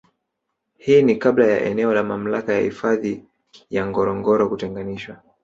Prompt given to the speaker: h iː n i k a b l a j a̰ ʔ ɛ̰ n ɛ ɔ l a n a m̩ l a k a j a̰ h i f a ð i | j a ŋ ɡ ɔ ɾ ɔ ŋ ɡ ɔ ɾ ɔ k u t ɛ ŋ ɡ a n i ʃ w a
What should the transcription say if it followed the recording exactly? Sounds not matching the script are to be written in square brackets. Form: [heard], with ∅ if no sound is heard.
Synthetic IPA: h iː n i k a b l a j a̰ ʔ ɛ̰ n ɛ ɔ l a [m] a m̩ l a k a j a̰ h i f a ð i | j a ŋ ɡ ɔ ɾ ɔ ŋ ɡ ɔ ɾ ɔ k u t ɛ ŋ ɡ a n i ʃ w a